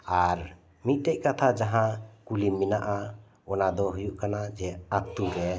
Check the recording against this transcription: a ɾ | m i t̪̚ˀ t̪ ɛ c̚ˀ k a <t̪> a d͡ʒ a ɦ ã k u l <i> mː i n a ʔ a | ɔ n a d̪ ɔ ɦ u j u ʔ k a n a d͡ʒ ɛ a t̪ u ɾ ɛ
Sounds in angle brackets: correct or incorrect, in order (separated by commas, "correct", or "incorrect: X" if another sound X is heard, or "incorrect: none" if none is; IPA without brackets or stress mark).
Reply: incorrect: t̪ʰ, correct